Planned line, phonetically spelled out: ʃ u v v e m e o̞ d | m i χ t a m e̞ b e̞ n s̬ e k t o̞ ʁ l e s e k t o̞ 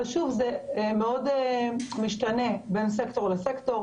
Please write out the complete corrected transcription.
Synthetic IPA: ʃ u v z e m e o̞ d | m i ʃ t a n e̞ b e̞ n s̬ e k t o̞ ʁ l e s e k t o̞